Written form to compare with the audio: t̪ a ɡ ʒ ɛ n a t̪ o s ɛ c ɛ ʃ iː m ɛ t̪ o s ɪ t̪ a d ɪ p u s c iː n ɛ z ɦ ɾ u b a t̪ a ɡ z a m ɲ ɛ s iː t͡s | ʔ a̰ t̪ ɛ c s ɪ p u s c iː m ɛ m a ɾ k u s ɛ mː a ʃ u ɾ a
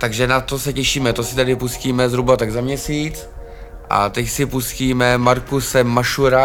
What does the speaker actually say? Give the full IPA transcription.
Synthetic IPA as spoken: t̪ a ɡ ʒ ɛ n a t̪ o s ɛ c ɛ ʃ iː m ɛ t̪ o s ɪ t̪ a d ɪ p u s c iː m ɛ z ɦ ɾ u b a t̪ a ɡ z a m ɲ ɛ s iː t͡s | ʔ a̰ t̪ ɛ c s ɪ p u s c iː m ɛ m a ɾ k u s ɛ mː a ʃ u ɾ a